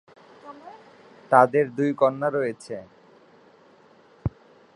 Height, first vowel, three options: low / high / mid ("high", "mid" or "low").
low